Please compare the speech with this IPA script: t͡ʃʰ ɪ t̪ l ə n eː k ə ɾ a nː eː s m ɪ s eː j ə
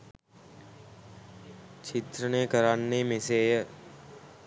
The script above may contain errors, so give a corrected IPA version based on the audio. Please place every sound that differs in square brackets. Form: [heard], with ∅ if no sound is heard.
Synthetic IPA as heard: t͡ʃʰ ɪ t̪ [ɾ] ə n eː k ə ɾ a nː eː [∅] m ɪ s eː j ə

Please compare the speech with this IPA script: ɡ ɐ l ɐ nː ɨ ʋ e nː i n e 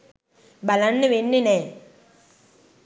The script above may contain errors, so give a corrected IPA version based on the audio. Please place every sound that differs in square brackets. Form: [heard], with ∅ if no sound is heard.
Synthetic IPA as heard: [b] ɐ l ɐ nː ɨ ʋ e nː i n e

